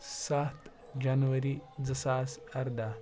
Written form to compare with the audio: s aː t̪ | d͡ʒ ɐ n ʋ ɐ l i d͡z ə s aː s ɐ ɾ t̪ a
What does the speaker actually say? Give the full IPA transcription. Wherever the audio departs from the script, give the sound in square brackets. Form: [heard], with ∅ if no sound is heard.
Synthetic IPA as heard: s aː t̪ | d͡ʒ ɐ n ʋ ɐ [ɾ] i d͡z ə s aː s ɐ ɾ [d̪] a